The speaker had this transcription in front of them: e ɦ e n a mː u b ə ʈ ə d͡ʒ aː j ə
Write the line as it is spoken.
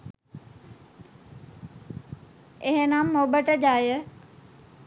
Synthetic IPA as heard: e ɦ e n a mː o b ə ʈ ə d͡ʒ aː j ə